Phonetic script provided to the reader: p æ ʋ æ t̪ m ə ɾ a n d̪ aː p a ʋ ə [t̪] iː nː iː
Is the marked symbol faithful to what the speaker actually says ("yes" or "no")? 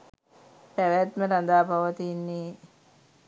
yes